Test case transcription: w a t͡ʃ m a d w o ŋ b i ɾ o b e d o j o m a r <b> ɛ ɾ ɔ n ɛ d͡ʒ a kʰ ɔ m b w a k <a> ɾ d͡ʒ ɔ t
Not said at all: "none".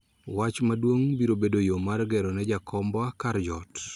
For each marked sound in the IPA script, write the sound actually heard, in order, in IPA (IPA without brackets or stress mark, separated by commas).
ɡ, a